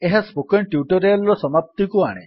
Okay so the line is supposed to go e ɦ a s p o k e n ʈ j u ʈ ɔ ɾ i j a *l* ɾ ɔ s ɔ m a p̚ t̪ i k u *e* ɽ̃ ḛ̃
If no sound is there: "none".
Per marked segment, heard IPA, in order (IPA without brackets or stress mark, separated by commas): l, a